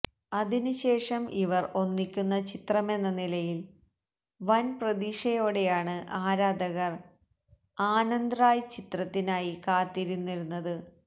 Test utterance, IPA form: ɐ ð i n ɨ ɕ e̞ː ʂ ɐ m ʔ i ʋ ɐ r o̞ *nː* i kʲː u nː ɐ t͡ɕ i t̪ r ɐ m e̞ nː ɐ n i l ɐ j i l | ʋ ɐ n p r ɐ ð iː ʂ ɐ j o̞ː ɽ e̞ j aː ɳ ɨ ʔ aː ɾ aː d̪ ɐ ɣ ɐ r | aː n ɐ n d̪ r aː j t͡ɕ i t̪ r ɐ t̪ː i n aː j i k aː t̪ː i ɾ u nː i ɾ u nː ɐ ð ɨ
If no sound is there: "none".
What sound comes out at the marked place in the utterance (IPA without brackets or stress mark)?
nː